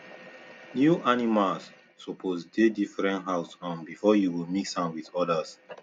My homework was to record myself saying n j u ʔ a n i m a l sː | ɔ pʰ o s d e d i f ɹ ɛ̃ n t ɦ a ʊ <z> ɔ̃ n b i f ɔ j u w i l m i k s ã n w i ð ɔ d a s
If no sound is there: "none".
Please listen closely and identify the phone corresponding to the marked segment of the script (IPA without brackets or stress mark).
s